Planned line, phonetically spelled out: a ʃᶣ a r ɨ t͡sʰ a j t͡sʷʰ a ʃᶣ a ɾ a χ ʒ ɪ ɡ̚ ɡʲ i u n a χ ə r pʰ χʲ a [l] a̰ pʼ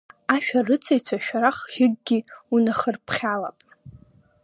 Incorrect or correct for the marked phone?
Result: correct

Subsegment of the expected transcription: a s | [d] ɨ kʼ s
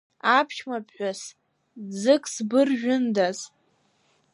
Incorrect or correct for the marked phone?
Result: incorrect: d͡z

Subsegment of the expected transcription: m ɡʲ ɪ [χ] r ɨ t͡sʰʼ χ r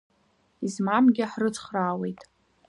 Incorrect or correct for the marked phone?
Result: incorrect: ħ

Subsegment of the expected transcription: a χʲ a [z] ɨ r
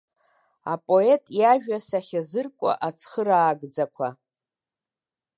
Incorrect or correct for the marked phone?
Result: correct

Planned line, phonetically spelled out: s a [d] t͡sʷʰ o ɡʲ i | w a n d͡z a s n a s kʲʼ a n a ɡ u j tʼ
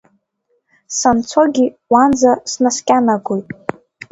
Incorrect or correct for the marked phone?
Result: incorrect: n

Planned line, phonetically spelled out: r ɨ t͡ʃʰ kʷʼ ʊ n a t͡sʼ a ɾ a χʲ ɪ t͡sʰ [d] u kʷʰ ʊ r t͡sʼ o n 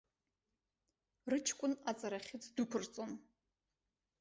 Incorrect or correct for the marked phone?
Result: correct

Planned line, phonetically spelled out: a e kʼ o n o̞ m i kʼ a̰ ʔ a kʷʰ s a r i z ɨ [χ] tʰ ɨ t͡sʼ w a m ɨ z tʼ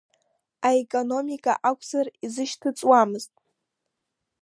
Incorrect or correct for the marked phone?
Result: incorrect: ʃ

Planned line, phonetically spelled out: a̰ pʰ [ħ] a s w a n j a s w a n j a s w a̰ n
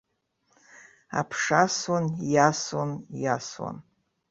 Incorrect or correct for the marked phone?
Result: incorrect: ʂ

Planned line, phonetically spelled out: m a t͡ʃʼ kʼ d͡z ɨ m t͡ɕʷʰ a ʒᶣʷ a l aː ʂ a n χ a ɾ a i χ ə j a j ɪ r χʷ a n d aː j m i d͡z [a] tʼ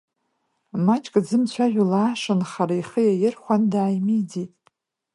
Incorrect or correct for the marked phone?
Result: incorrect: i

